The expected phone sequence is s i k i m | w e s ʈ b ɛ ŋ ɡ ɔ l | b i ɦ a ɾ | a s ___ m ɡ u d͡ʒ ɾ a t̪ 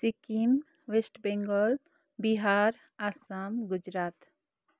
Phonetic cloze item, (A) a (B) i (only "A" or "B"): A